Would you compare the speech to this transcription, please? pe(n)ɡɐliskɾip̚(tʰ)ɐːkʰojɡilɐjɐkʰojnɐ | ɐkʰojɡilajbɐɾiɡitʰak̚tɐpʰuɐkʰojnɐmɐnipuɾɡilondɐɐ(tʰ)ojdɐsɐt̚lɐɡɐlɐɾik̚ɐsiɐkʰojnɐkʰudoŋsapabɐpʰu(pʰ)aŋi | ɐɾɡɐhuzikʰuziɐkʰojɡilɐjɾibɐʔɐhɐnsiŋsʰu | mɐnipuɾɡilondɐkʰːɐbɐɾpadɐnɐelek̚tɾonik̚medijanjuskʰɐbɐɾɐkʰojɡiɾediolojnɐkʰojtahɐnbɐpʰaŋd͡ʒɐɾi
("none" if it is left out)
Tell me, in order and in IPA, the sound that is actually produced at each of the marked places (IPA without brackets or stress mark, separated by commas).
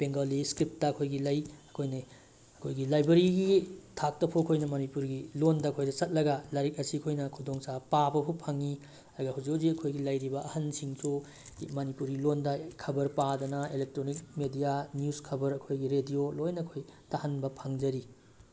ŋ, t, kʰ, pʰ